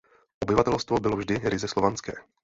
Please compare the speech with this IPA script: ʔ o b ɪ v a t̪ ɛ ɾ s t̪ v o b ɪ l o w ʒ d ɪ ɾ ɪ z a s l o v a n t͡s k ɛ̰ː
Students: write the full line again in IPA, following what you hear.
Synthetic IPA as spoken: ʔ o b ɪ v a t̪ ɛ l s t̪ v o b ɪ l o v ʒ d ɪ ɾ ɪ z ɛ s l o v a n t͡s k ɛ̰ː